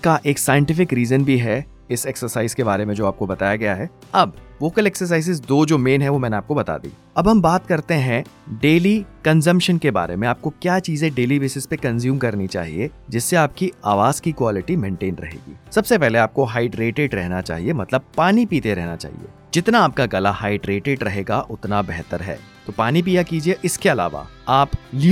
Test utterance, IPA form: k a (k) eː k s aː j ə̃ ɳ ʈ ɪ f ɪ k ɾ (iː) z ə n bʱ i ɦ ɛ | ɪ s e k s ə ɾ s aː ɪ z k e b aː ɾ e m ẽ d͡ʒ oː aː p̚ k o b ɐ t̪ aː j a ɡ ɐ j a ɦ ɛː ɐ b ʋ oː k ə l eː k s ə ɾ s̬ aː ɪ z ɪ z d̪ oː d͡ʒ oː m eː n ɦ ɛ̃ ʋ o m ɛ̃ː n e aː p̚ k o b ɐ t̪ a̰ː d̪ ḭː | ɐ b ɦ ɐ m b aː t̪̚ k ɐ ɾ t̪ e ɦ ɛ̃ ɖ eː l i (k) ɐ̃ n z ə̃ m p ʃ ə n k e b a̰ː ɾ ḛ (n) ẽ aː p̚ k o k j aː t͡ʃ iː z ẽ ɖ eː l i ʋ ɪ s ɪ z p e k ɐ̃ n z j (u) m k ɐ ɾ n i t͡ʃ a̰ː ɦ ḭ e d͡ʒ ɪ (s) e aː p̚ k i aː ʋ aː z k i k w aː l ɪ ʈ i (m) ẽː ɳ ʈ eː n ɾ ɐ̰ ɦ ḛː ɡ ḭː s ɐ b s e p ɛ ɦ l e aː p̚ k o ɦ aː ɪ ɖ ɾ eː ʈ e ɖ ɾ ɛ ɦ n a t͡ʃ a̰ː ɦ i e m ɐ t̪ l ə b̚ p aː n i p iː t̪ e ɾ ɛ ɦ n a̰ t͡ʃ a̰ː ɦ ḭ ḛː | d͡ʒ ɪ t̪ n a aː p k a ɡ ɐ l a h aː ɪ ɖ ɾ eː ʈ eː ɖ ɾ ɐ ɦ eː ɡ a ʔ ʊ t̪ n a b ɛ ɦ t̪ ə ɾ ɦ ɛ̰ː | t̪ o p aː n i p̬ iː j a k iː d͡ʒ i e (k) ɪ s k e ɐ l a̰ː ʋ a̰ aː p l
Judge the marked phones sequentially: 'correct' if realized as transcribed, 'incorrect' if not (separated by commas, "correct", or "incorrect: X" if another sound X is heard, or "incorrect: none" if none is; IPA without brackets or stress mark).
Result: incorrect: ʔ, correct, correct, incorrect: m, incorrect: uː, incorrect: sː, correct, incorrect: ʔ